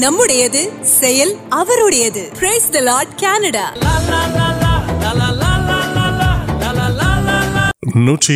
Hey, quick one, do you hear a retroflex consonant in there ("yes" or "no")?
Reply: yes